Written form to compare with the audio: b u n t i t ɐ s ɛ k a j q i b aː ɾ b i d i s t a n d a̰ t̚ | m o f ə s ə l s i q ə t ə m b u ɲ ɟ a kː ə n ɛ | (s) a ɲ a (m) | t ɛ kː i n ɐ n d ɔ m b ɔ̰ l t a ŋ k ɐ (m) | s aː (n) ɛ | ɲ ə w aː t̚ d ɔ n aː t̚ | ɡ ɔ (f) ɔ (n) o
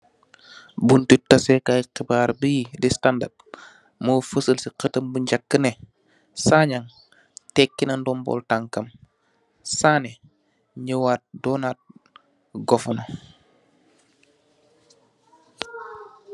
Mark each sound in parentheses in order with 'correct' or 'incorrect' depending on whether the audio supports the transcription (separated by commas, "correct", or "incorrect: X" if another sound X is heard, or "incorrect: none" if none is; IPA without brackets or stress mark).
correct, incorrect: ŋ, correct, correct, correct, correct